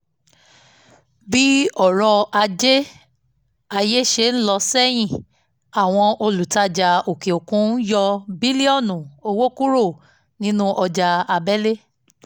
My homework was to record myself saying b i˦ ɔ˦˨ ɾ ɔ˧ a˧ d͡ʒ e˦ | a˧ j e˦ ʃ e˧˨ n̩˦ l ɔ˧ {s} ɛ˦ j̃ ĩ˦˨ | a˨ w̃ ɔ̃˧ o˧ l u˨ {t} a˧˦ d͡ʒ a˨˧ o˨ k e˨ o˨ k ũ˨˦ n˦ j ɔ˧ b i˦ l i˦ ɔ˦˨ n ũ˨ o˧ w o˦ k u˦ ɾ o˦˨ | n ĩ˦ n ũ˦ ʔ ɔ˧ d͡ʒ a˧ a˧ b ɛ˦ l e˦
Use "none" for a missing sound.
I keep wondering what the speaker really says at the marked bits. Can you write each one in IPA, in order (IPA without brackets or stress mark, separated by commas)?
s, t